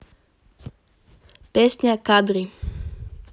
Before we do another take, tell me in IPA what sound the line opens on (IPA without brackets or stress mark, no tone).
p